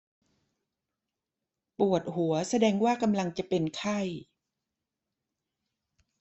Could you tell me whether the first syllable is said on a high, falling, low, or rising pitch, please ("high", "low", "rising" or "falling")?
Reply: low